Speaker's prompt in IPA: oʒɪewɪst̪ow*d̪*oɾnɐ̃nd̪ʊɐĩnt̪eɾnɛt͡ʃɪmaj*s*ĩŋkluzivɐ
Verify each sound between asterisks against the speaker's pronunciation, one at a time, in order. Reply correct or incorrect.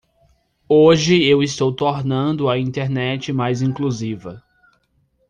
incorrect: t̪, incorrect: z

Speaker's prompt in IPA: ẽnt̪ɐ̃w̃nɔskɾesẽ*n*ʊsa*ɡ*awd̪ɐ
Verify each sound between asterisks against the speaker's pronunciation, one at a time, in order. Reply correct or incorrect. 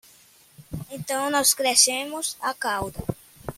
incorrect: m, incorrect: k

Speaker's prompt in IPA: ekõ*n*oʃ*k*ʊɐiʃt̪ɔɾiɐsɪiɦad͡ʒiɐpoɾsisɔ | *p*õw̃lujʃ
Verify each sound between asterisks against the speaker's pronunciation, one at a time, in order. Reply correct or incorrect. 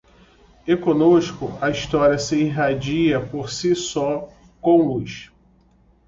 correct, correct, incorrect: k

